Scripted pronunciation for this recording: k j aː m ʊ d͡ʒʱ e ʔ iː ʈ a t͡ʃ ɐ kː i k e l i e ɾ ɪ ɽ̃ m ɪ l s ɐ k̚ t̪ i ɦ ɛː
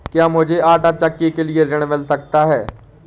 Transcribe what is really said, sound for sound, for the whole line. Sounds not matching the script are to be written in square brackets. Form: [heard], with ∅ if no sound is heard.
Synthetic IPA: k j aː m ʊ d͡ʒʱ e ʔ [aː] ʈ a t͡ʃ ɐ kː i k e l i e ɾ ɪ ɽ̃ m ɪ l s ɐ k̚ t̪ [a] ɦ ɛː